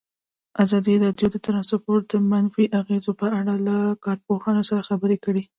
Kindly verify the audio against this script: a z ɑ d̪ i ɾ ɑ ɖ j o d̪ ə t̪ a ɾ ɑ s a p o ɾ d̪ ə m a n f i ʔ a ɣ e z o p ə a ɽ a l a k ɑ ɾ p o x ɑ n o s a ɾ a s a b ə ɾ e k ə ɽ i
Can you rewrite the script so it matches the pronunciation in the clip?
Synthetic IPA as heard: a z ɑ d̪ i ɾ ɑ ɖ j o d̪ ə t̪ a ɾ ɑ s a p o ɾ d̪ ə m a n f i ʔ a ɣ e z o p ə a ɽ a l a k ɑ ɾ p o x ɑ n o s a ɾ a x a b ə ɾ e k ə ɽ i

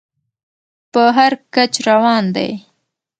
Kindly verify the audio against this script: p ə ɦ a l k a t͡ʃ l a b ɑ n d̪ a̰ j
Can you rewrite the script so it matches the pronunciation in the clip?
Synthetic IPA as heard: p ə ɦ a ɾ k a t͡ʃ ɾ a w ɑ n d̪ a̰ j

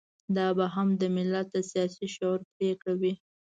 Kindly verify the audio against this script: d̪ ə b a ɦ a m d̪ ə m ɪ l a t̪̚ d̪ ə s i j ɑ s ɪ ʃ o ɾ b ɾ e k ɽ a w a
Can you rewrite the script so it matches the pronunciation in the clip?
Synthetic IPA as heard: d̪ ɑ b a ɦ a m d̪ ə m ɪ l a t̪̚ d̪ ə s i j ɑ s i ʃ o ɾ p ɾ e k ɽ a w i

